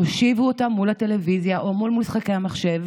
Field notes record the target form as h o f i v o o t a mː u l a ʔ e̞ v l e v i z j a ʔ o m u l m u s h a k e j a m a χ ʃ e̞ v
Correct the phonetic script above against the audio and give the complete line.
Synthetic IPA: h o ʃ i v u o t a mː u l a t e̞ l e v i z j a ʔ o m u l m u s χ a k e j a m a χ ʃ e̞ v